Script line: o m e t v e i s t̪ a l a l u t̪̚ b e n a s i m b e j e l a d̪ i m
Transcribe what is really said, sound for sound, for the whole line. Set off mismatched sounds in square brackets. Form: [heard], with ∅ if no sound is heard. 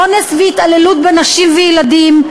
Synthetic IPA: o [n] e [s] v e i [∅] t̪ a l [e] l u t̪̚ b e n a [ʃ] i m [v] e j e l a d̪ i m